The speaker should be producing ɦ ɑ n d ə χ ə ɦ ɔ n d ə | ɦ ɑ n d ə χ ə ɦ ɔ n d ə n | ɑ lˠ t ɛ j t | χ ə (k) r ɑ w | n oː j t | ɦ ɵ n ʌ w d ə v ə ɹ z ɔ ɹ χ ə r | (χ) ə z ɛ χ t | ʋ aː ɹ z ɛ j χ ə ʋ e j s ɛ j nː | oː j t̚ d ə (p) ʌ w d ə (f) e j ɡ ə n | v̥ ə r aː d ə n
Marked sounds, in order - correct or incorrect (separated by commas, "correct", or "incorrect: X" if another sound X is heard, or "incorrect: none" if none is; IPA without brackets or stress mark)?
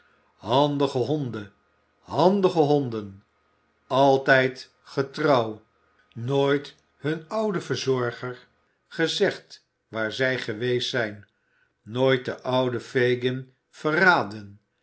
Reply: incorrect: t, correct, incorrect: ʔ, correct